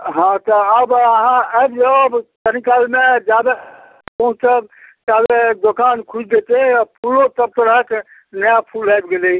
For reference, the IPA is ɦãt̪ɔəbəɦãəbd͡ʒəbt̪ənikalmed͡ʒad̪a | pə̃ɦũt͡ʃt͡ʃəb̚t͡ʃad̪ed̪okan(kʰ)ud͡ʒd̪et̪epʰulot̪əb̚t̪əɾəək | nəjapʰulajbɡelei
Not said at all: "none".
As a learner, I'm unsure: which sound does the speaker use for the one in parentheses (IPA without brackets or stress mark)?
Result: kʰ